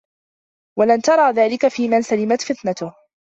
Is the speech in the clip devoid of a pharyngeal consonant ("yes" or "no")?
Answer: yes